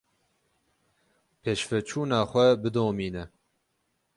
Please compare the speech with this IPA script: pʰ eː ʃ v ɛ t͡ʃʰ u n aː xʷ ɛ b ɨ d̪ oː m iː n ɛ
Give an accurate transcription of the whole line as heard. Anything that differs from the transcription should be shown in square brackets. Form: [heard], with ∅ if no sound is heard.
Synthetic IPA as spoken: pʰ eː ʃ [f] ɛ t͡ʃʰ [uː] n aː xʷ ɛ b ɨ d̪ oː m iː n ɛ